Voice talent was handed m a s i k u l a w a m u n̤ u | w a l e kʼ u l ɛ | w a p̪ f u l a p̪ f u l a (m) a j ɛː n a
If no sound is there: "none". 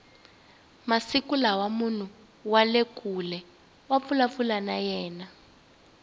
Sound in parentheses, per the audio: n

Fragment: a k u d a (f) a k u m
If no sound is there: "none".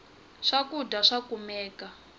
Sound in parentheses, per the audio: ʂ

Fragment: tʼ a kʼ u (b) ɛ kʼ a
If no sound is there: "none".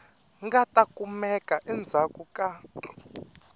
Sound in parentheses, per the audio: m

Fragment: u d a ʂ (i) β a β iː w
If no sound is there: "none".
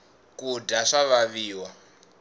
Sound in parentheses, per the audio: a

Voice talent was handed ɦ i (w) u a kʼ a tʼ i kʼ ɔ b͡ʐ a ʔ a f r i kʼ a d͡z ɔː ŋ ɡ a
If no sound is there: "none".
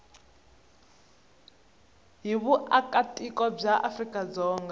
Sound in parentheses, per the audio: β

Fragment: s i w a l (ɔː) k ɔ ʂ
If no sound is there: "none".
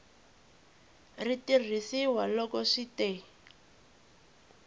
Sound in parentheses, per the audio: ɔ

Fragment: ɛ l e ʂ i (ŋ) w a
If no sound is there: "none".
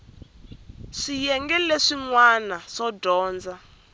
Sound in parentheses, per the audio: ŋ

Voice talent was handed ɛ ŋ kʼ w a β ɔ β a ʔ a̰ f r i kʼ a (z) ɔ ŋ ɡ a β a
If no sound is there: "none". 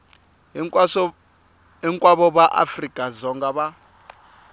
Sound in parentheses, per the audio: z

